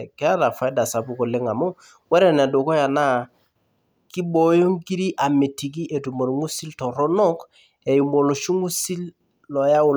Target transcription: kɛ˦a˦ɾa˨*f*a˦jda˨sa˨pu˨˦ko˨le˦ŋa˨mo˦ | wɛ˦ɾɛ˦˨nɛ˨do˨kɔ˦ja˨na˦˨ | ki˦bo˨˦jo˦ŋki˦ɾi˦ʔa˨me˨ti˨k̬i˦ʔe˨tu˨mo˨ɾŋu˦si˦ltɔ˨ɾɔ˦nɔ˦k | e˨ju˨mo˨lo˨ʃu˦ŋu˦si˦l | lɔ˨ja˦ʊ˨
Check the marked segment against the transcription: correct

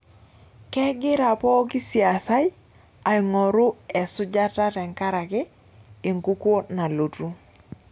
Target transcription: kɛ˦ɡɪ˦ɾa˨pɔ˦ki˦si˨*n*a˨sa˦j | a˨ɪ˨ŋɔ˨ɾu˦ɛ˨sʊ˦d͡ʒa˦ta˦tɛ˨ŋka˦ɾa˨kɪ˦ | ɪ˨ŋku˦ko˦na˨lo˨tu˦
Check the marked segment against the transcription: incorrect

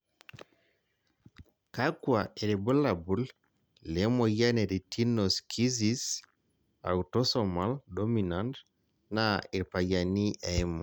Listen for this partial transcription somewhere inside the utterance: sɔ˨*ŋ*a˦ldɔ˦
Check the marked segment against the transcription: incorrect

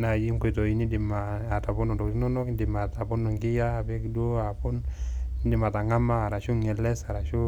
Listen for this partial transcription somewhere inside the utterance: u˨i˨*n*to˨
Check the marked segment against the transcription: incorrect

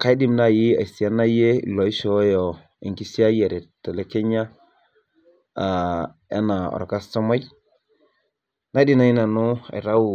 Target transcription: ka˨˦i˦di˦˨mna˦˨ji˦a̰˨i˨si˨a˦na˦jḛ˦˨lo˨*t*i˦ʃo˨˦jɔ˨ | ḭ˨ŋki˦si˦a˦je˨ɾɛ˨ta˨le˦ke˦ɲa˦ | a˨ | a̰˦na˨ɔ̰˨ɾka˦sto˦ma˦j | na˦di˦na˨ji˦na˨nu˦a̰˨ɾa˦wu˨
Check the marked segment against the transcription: incorrect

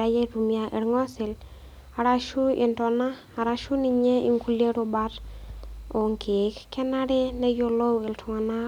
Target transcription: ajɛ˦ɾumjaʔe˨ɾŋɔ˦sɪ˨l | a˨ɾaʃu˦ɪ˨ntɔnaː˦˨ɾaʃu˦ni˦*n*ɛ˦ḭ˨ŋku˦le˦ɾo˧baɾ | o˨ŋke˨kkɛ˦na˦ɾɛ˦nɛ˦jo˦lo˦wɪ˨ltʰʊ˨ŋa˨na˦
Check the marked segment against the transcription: incorrect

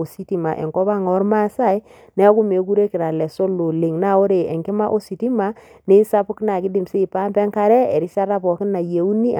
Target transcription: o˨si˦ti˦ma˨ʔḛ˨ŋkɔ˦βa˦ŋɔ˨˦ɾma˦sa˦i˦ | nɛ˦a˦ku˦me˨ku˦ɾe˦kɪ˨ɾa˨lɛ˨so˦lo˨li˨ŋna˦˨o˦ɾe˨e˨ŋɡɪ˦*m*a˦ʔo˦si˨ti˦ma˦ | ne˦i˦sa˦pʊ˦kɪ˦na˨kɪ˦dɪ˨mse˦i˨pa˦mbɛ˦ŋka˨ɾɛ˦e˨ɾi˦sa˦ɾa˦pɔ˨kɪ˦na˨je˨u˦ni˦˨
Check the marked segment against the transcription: correct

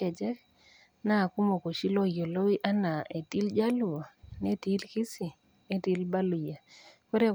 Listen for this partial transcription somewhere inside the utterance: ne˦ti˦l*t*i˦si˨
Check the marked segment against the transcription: incorrect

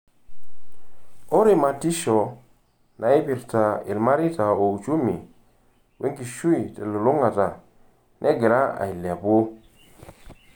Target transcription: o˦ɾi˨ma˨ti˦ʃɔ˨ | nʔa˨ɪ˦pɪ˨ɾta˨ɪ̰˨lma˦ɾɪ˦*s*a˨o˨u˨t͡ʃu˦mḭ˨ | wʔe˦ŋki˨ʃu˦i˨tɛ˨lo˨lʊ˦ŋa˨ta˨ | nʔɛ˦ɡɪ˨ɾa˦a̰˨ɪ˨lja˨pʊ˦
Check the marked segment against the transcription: incorrect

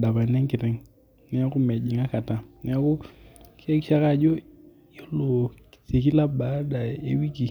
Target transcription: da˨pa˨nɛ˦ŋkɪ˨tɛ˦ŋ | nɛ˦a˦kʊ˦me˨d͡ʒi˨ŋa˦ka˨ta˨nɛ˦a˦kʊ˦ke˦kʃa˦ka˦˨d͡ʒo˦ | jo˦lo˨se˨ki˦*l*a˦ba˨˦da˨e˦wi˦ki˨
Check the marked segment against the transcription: correct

